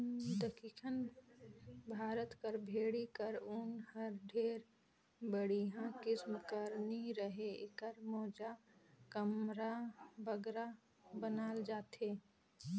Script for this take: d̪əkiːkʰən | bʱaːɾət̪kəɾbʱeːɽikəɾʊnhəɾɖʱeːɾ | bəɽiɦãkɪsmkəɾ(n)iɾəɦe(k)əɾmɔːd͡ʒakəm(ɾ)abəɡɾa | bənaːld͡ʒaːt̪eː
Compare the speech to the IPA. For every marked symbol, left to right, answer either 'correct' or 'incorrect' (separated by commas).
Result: correct, correct, correct